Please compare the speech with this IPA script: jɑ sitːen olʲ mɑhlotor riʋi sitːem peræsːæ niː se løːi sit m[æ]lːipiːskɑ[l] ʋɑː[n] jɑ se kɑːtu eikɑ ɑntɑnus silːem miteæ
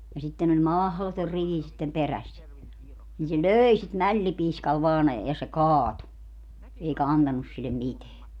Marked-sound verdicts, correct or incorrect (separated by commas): correct, correct, correct